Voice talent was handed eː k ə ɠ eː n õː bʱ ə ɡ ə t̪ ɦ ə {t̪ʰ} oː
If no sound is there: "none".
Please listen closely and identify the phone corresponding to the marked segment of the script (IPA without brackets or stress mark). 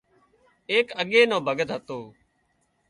t̪